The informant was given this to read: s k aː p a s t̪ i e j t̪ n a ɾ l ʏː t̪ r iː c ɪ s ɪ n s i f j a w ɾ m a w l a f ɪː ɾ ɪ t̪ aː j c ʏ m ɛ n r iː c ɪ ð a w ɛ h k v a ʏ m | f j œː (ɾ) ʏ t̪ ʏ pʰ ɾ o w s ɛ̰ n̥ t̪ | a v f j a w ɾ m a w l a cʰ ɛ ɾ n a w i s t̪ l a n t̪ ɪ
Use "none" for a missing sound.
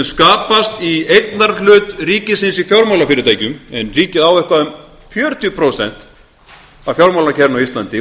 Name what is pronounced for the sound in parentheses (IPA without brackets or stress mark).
ɾ